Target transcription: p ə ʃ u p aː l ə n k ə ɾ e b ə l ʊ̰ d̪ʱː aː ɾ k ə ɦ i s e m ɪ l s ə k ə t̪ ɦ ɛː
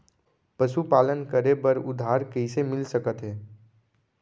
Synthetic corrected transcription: p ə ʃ u p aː l ə n k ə ɾ e b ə ɾ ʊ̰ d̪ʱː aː ɾ k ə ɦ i s e m ɪ l s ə k ə t̪ ɦ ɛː